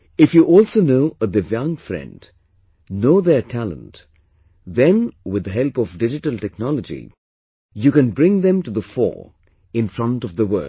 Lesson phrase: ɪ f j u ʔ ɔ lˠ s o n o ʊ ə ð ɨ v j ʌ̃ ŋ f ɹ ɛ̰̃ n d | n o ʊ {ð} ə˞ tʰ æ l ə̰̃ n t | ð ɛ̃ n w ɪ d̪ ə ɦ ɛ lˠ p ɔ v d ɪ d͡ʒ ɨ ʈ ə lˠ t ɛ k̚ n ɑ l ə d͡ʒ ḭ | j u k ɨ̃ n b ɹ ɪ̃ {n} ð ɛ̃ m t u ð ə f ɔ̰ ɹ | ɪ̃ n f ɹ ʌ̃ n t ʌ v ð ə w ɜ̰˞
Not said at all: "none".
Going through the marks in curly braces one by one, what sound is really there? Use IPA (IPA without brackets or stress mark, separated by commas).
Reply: ð, ŋ